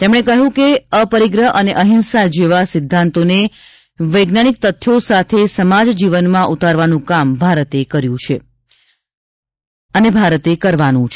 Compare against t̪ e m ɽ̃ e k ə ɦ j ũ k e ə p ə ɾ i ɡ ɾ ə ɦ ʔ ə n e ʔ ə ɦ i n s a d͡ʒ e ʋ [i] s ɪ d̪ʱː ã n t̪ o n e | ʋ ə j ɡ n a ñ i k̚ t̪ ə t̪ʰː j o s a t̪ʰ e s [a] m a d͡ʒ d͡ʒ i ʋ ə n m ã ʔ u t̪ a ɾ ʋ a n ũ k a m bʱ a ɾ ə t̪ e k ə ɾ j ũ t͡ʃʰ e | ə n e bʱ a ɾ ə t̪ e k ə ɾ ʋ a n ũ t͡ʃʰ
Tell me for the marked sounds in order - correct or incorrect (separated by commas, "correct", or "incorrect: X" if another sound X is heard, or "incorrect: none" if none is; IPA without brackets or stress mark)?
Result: incorrect: a, incorrect: ə